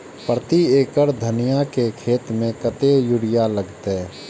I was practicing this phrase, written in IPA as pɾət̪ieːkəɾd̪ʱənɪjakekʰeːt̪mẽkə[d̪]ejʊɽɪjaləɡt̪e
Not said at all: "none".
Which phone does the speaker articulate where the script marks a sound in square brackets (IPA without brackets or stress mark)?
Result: t̪